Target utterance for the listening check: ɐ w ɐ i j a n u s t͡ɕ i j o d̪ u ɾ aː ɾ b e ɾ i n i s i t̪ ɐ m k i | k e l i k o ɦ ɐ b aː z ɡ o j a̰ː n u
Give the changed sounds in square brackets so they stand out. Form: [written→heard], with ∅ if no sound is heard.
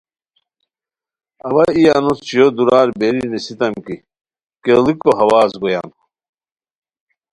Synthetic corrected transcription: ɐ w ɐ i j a n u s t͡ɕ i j o d̪ u ɾ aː ɾ b e ɾ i n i s i t̪ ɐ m k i | k e l i k o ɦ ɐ [b→w] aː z ɡ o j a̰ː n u